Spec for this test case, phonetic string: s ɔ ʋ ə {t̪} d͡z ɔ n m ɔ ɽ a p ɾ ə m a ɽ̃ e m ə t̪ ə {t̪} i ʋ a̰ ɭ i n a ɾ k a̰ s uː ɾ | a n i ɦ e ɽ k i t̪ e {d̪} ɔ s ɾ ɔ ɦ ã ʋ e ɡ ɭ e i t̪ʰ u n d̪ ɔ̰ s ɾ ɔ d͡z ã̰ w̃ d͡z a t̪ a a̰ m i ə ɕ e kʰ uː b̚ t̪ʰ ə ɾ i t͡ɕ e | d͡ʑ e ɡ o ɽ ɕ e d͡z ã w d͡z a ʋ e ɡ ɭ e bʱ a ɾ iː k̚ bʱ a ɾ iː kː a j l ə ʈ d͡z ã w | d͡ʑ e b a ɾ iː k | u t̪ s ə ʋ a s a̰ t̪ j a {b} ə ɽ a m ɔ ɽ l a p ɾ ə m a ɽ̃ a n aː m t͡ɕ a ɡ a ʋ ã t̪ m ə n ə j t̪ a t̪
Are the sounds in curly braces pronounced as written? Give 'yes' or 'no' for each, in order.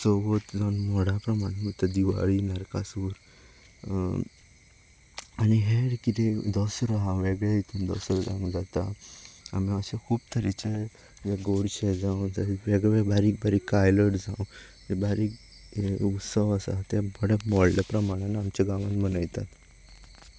yes, no, yes, yes

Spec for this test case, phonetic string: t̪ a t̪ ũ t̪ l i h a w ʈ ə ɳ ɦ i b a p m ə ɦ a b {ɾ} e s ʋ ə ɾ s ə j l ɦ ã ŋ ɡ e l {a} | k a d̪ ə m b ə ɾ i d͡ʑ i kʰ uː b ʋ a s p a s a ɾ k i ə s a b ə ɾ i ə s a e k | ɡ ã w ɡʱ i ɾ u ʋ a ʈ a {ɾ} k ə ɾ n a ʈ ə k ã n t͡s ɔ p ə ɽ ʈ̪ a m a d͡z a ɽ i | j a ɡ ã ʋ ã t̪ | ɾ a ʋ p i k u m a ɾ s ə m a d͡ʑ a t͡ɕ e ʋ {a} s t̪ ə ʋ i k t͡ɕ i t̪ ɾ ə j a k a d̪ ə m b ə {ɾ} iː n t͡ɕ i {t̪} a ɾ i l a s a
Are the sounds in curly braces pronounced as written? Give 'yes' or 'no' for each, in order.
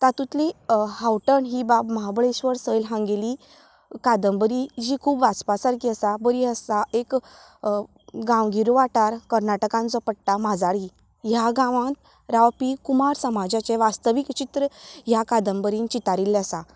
no, no, yes, yes, yes, yes

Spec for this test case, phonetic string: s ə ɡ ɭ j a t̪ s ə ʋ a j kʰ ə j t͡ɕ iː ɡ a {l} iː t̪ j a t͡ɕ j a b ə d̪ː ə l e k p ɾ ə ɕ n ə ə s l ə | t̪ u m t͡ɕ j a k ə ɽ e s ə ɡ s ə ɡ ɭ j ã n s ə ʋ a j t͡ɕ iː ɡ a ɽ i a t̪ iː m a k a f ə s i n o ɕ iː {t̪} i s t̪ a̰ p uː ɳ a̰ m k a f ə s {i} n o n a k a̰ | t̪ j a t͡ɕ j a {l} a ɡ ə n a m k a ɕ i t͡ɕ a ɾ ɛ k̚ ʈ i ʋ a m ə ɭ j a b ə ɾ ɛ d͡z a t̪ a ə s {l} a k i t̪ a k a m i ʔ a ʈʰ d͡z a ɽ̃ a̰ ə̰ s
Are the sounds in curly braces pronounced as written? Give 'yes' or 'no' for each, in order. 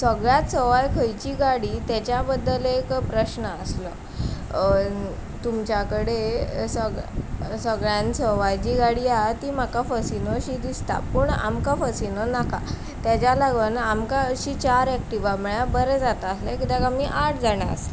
no, no, yes, yes, yes

